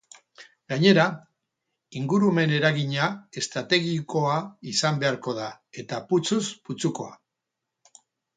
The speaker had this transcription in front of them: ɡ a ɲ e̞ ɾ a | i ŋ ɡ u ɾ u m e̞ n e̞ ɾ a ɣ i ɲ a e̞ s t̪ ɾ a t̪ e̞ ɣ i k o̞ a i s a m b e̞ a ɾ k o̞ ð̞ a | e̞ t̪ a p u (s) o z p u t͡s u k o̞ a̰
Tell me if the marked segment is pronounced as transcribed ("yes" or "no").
no